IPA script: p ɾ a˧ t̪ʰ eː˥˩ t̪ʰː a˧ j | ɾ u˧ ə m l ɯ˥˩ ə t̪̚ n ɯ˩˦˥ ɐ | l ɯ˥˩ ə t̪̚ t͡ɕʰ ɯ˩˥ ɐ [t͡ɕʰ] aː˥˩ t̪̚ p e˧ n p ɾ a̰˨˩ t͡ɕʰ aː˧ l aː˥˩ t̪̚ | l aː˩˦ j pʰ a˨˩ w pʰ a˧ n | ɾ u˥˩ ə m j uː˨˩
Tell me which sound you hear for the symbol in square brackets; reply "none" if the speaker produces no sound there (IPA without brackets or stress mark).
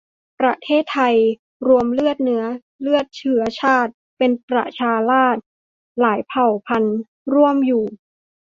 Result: t͡ɕʰ